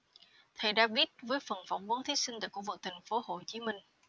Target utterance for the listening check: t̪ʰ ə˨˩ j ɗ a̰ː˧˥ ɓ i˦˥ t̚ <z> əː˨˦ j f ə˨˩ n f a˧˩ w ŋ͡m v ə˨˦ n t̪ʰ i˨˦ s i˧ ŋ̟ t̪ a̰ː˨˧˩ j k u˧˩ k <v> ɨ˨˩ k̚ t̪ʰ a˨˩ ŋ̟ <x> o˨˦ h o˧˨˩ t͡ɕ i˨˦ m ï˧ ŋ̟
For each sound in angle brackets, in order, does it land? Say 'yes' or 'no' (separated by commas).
no, yes, no